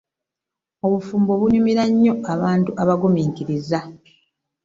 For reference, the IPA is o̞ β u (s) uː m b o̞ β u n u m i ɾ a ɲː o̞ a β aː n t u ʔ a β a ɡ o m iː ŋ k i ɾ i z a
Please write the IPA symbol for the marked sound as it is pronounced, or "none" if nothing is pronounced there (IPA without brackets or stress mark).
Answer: f